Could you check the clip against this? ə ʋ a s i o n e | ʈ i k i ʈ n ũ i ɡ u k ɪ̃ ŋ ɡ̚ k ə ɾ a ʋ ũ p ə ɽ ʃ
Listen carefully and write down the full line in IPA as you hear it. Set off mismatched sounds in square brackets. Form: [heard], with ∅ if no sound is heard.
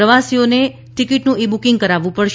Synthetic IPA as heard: ə ʋ a s i o n e | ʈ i k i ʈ n ũ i [b] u k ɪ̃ ŋ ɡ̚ k ə ɾ a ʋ ũ p ə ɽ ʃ